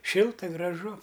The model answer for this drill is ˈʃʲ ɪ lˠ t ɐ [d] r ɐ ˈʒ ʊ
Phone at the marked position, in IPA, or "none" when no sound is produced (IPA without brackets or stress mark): ɡ